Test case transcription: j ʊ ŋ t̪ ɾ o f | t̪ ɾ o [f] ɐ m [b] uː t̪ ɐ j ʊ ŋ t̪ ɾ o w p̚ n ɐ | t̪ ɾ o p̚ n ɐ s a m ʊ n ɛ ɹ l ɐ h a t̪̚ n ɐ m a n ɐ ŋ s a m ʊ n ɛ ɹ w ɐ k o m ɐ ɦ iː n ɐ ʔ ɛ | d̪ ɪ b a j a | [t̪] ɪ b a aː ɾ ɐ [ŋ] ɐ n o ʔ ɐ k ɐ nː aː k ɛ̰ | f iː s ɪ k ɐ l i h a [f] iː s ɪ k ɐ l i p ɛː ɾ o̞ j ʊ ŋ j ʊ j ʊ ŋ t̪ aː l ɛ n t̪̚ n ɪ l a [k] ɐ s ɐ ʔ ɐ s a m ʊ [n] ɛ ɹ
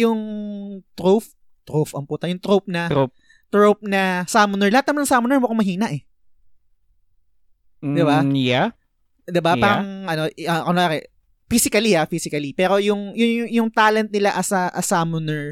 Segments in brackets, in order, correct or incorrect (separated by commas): correct, incorrect, incorrect, correct, correct, incorrect, correct